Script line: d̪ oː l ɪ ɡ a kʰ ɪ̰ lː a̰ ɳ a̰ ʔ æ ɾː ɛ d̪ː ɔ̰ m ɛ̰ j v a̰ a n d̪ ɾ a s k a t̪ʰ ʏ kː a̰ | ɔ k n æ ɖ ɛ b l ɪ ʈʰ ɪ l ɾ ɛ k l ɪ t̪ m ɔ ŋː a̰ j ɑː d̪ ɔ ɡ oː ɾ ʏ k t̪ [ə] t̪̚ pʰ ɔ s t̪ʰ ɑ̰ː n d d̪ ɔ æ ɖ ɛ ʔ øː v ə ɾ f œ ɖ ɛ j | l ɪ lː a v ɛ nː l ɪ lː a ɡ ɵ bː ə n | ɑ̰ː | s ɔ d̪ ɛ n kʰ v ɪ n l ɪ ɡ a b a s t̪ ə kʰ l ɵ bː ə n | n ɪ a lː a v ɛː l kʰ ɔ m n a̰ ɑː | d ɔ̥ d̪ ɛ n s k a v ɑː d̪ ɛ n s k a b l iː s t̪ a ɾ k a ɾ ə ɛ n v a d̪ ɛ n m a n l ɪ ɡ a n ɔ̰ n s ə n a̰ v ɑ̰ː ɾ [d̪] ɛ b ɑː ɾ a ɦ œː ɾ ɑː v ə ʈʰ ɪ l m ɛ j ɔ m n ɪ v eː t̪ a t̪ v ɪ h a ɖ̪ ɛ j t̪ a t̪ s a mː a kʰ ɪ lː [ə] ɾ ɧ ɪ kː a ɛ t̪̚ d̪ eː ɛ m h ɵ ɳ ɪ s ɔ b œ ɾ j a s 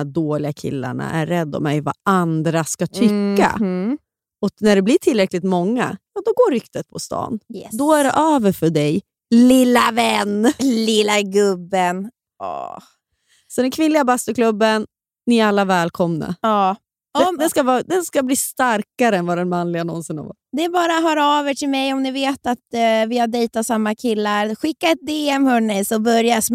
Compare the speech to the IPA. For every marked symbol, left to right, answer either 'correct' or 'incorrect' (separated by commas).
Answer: correct, correct, incorrect